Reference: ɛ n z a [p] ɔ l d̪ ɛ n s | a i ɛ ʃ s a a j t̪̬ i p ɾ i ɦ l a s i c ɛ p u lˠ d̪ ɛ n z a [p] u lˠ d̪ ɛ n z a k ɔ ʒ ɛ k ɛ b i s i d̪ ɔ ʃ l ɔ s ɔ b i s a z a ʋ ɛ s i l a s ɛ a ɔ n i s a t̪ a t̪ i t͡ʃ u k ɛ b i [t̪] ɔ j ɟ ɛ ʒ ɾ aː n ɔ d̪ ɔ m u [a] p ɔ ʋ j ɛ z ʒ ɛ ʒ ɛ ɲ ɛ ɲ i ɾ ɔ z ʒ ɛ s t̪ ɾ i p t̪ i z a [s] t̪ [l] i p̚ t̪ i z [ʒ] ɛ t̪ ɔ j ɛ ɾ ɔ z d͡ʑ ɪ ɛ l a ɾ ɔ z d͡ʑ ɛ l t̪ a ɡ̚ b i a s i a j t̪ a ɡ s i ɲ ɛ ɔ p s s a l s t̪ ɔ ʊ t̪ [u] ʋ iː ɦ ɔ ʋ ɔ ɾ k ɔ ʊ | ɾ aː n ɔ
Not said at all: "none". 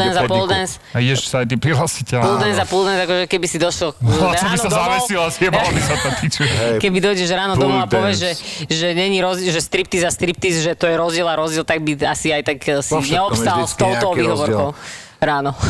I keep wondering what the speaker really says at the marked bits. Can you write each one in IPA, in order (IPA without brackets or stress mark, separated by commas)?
p, p, d̪, a, s, ɾ, ʒ, ɔ